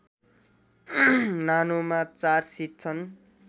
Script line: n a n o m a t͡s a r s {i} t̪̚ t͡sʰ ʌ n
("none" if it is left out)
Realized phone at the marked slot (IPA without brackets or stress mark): i